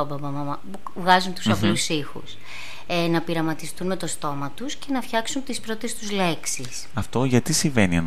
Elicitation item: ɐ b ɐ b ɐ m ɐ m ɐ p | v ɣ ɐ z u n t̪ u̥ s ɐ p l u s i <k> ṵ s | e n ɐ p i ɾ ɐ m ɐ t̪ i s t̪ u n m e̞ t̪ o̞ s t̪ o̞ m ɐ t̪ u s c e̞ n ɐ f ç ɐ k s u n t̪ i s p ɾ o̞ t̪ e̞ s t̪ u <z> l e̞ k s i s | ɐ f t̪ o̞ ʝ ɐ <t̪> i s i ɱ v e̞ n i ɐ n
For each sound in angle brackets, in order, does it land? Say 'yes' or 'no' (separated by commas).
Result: no, yes, yes